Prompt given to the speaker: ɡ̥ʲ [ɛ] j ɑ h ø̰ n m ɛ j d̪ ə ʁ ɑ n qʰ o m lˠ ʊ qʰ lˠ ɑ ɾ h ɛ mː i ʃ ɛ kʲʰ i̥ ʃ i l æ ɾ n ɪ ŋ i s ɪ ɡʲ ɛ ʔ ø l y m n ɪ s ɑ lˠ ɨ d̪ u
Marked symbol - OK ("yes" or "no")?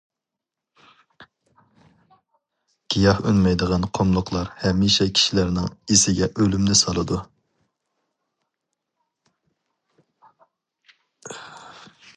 no